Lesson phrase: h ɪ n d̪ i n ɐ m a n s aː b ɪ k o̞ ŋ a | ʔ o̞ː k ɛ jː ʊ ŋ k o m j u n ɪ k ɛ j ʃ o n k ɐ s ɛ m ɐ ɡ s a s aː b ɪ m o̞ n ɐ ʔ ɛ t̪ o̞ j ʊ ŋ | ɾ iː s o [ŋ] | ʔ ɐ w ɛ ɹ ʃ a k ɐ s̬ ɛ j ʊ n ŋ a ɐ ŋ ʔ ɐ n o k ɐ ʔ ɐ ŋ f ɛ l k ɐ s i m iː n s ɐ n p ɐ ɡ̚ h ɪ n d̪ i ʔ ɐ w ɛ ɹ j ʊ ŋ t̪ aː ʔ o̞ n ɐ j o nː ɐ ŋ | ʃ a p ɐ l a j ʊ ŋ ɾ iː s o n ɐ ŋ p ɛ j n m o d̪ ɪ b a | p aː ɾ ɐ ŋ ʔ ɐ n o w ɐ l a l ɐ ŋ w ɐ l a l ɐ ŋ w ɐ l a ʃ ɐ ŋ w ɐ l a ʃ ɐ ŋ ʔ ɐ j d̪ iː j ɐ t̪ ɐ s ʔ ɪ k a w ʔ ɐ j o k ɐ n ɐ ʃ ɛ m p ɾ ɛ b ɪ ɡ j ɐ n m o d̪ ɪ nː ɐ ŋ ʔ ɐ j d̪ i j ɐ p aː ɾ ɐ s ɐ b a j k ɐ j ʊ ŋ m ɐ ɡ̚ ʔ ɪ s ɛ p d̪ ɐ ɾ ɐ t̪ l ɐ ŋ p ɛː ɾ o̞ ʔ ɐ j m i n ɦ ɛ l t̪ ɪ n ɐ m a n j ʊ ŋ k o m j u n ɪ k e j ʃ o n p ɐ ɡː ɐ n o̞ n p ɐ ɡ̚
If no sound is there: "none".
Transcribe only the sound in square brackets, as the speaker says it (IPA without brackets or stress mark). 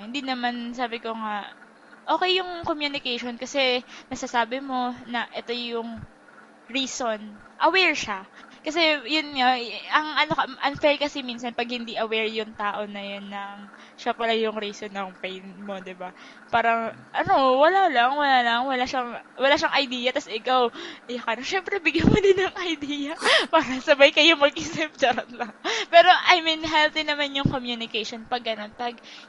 n